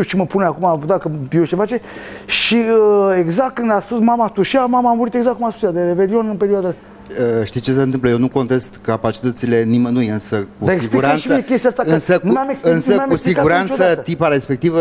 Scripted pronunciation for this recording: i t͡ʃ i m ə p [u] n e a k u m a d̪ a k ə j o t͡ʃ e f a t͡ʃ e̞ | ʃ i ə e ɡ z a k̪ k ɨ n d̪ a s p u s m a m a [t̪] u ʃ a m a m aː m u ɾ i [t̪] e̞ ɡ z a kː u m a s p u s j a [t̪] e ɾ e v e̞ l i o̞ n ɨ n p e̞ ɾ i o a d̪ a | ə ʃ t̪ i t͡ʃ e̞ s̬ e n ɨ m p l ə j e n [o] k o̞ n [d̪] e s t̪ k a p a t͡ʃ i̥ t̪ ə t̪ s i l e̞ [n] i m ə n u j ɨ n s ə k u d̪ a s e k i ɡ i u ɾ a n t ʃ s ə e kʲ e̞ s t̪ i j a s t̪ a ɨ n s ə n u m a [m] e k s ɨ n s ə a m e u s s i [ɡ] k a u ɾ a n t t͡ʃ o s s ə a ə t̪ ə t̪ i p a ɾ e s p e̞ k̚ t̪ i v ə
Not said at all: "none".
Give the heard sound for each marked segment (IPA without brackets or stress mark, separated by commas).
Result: u, t̪, t̪, d̪, u, t̪, n, m, ɡ